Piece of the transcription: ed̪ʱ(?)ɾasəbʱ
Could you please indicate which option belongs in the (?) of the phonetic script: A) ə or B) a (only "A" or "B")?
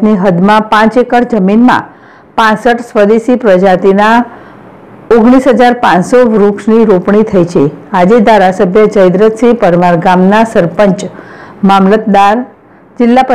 B